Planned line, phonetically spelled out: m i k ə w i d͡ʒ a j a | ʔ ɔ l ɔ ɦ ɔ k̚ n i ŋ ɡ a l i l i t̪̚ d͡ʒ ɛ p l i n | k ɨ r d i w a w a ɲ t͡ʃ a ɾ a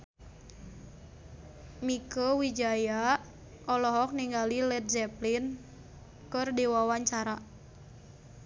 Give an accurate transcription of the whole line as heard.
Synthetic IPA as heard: m i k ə w i d͡ʒ a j a | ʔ ɔ l ɔ ɦ ɔ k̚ n i ŋ ɡ a l i l ɛ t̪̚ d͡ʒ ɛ p l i n | k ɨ r d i w a w a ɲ t͡ʃ a ɾ a